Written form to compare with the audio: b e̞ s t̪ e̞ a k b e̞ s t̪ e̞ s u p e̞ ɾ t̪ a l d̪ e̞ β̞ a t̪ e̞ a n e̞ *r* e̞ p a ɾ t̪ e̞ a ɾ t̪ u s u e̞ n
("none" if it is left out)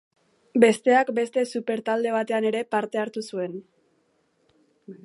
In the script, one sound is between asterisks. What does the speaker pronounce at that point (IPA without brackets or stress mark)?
ɾ